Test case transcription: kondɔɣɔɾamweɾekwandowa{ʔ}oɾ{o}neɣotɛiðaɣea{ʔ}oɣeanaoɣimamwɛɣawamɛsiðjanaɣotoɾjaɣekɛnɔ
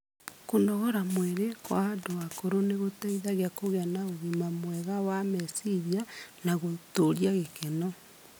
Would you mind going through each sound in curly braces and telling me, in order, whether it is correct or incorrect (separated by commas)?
incorrect, correct, incorrect